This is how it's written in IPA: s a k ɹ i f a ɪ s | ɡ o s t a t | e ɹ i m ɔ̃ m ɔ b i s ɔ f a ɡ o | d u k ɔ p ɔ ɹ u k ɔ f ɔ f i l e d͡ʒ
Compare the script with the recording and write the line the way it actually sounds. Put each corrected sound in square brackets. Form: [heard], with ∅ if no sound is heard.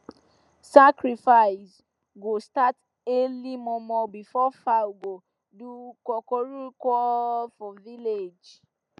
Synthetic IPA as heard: s a k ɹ i f a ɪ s | ɡ o s t a t | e [l] i m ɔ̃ m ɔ b i [f] ɔ f a ɡ o | d u k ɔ [k] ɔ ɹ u k ɔ f ɔ [v] i l e d͡ʒ